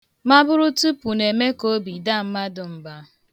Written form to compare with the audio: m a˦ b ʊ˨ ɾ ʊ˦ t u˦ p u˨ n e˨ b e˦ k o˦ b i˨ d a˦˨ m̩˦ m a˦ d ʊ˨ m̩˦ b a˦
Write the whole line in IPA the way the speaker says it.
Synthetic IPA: m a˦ b ʊ˦ ɾ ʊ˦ t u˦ p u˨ n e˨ m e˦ k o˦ b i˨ d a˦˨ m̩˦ m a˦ d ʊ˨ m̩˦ b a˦